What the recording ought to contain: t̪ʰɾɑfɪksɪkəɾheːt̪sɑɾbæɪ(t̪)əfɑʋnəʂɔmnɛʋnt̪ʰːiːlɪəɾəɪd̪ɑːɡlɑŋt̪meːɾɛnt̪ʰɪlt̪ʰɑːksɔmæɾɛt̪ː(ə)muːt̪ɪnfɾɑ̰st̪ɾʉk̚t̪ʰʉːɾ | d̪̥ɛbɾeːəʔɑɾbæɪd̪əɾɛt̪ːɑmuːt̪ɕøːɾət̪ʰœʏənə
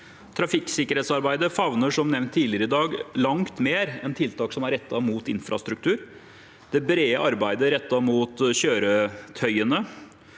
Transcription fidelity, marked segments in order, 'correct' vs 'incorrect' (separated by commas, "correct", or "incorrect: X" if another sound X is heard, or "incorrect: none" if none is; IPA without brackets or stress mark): incorrect: d̪, incorrect: ɑ